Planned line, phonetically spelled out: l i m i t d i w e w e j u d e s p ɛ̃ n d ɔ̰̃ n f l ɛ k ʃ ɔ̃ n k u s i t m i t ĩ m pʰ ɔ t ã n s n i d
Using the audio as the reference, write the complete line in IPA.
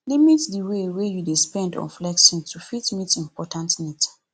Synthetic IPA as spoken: l i m i t d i w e w e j u d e s p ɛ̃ n d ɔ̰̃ n f l ɛ k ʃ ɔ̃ n t u f i t m i t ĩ m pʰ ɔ t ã n t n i t